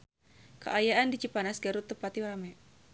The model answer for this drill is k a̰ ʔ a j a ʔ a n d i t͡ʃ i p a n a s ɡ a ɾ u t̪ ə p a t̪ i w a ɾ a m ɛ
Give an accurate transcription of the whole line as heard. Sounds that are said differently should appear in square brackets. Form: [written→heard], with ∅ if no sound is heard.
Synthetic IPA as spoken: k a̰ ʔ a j a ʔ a n d i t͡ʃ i p a n a s ɡ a ɾ u t̪ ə p a t̪ i w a ɾ a m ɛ